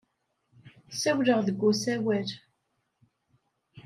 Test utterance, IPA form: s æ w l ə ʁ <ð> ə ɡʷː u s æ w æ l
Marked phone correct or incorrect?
correct